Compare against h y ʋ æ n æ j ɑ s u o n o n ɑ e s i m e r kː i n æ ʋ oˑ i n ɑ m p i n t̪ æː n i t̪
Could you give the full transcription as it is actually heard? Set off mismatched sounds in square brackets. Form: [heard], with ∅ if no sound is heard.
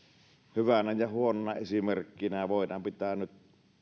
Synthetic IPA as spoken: h y ʋ æ n æ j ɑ [h] u o n o n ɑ e s i m e r kː i n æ ʋ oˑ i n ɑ m p i [∅] t̪ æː n [y] t̪